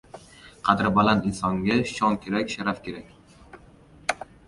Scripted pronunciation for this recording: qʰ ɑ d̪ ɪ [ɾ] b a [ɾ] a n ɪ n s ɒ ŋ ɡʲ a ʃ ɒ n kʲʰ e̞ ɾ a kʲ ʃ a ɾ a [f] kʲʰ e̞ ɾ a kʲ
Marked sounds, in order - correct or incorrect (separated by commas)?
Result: correct, incorrect, correct